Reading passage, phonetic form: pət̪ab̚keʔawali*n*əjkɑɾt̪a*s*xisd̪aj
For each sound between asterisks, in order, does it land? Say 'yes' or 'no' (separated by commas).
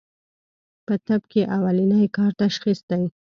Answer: yes, no